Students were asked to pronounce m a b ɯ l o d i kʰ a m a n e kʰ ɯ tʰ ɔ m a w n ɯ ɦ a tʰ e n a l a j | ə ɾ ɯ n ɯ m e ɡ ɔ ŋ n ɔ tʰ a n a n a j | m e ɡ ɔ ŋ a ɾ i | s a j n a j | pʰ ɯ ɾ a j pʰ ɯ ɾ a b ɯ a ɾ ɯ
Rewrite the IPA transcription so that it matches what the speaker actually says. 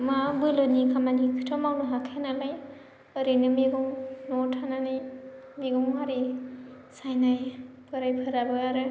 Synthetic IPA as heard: m a b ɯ l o n i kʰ a m a n i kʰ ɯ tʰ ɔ m a w n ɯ ɦ a kʰ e n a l a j | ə ɾ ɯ n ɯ m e ɡ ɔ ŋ n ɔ tʰ a n a n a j | m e ɡ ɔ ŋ a ɾ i | s a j n a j | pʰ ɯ ɾ a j pʰ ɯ ɾ a b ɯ a ɾ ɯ